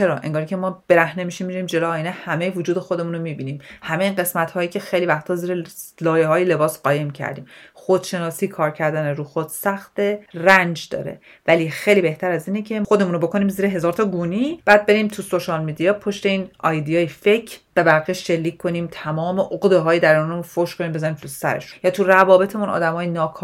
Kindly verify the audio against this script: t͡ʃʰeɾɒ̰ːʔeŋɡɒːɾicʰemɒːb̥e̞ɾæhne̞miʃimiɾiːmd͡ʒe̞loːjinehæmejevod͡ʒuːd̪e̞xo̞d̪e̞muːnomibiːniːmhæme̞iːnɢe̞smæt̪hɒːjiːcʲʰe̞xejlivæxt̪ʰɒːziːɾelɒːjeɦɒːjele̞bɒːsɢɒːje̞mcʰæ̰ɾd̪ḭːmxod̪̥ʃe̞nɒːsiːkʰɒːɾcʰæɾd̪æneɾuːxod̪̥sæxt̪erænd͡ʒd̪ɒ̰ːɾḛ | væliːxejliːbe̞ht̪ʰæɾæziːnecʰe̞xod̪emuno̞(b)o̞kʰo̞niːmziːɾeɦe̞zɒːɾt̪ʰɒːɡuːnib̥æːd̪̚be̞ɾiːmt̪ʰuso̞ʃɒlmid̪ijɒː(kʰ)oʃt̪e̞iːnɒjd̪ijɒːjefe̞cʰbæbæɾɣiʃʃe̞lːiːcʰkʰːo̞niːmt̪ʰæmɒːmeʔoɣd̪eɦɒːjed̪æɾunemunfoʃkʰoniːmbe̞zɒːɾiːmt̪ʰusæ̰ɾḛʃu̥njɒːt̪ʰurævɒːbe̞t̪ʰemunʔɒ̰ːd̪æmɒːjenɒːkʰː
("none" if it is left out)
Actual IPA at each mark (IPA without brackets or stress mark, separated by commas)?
b, pʰ